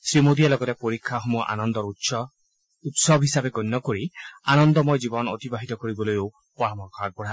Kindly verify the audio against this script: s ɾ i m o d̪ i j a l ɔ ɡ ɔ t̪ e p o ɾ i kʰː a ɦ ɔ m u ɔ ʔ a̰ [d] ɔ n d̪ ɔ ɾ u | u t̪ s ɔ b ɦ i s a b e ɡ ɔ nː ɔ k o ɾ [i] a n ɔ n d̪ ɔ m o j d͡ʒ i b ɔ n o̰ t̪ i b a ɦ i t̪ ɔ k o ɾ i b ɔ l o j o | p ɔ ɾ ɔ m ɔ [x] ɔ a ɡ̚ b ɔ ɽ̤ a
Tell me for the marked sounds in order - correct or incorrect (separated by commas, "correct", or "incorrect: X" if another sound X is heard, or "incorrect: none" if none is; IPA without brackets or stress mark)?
incorrect: n, correct, incorrect: k